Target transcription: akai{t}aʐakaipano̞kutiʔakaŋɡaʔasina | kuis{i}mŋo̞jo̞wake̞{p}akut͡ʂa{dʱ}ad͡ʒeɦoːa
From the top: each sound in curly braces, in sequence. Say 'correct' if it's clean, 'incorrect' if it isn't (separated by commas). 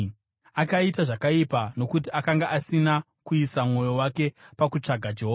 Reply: correct, incorrect, correct, incorrect